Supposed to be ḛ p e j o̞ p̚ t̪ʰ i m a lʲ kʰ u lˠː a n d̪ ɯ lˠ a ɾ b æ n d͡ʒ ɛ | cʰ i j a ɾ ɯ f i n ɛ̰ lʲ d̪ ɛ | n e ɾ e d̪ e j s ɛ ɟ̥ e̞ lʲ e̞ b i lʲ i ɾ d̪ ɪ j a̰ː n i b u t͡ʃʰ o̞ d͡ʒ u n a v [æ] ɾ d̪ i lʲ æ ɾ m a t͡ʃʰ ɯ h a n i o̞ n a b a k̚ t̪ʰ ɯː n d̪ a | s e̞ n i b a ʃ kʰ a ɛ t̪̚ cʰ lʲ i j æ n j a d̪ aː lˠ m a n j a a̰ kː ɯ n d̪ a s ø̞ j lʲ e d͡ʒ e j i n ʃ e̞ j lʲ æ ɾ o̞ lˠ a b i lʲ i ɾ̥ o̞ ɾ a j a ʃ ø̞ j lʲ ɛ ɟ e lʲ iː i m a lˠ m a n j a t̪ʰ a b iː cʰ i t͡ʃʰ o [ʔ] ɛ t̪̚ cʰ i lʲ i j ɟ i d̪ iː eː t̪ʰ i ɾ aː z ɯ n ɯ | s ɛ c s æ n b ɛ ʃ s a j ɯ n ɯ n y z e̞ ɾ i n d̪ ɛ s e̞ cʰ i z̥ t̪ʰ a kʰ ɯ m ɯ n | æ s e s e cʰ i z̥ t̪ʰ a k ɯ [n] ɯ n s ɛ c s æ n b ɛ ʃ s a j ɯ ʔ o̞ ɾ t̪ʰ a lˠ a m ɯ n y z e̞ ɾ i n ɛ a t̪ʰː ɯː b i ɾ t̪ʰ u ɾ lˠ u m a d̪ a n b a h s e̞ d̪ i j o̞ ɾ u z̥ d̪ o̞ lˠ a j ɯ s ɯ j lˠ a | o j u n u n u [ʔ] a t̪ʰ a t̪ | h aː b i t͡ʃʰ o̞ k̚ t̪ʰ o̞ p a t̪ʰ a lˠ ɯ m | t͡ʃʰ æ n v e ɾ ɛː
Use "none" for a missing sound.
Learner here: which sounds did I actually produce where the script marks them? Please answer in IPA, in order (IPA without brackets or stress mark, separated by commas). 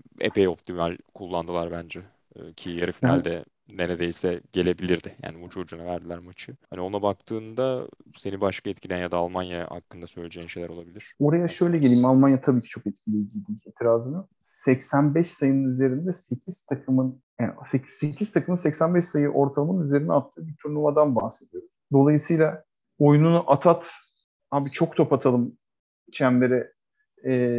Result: æ, k, m, ʔ